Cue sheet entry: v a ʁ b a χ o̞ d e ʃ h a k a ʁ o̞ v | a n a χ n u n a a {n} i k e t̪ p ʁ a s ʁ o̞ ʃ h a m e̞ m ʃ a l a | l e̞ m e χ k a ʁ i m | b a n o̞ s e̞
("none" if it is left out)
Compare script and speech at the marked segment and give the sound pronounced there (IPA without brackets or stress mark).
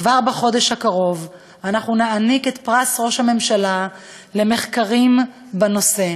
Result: n